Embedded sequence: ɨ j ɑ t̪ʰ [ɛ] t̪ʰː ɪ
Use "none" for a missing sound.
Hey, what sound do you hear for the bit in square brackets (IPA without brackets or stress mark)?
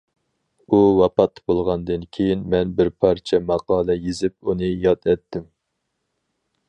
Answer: ɛ